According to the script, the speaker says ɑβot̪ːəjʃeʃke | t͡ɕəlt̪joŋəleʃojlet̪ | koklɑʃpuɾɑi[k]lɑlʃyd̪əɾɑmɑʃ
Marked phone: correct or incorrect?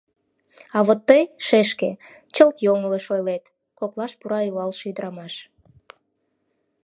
incorrect